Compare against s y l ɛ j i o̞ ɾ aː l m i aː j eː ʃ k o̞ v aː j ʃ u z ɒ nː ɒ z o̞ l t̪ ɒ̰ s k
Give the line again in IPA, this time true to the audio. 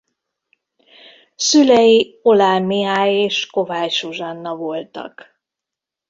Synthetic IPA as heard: s y l ɛ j i o̞ l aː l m i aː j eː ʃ k o̞ v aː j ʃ u ʒ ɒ nː ɒ v o̞ l t̪ ɒ̰ k